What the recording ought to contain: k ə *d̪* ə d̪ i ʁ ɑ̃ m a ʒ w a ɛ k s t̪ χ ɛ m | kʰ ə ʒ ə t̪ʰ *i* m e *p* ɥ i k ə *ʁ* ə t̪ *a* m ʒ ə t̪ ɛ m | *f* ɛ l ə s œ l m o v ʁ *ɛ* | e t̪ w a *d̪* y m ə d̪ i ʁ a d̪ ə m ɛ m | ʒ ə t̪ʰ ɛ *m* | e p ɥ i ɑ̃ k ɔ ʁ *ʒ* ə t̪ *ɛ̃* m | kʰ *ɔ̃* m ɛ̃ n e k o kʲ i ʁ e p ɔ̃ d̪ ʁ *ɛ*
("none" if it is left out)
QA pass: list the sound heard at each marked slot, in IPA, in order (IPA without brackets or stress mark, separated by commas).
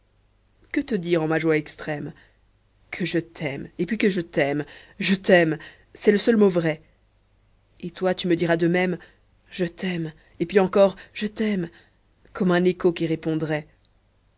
t̪, ɛ, p, ʒ, ɛ, s, ɛ, t̪, m, ʒ, ɛ, ɔ, ɛ